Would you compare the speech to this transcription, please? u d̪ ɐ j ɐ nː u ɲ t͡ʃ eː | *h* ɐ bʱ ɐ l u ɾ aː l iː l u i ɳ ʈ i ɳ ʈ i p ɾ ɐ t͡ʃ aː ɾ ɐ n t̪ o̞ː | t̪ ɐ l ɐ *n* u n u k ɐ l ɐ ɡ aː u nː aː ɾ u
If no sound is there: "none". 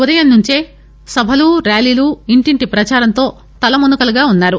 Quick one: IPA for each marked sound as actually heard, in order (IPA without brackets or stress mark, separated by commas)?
s, m